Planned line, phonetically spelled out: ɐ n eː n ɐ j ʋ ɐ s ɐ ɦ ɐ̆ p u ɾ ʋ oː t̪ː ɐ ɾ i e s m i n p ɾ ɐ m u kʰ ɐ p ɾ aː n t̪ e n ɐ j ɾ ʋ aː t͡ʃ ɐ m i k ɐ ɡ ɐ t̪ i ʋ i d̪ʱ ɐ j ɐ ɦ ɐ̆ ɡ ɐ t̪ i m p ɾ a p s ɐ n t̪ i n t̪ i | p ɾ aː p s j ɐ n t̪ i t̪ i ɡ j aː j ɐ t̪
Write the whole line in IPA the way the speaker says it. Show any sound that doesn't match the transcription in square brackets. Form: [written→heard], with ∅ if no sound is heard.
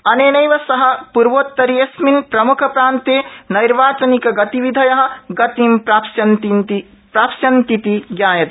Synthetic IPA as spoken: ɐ n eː n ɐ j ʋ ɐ s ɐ ɦ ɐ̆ p u ɾ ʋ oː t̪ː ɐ ɾ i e s m i n p ɾ ɐ m u kʰ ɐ p ɾ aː n t̪ e n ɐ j ɾ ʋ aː t͡ʃ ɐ [m→n] i k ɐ ɡ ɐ t̪ i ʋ i d̪ʱ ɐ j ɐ ɦ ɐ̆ ɡ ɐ t̪ i m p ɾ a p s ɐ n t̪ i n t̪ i | p ɾ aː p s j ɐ n t̪ i t̪ i ɡ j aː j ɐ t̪